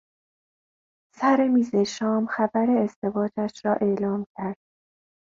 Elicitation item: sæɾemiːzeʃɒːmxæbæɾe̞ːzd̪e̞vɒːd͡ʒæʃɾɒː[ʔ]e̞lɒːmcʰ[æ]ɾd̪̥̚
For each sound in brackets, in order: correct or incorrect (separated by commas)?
correct, correct